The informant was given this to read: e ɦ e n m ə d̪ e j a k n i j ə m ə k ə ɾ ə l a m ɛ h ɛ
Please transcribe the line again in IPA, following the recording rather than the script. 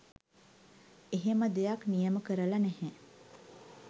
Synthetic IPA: e ɦ e m ə d̪ e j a k n i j ə m ə k ə ɾ ə l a n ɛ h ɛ